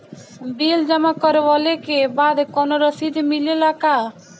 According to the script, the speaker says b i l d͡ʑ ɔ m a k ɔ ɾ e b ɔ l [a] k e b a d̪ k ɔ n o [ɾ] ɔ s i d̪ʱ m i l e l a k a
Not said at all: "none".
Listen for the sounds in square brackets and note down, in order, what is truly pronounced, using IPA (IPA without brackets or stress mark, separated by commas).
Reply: e, ɾ